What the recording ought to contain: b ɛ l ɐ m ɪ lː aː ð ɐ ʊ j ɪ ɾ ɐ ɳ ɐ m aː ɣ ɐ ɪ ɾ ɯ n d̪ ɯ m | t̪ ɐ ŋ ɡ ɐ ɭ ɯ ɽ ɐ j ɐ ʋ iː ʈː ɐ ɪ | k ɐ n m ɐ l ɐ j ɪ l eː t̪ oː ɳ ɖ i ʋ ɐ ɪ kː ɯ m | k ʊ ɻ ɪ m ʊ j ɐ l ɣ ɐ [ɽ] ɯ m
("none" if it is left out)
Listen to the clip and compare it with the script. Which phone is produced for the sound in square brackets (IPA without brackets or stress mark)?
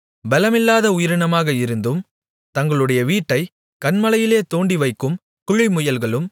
ɭ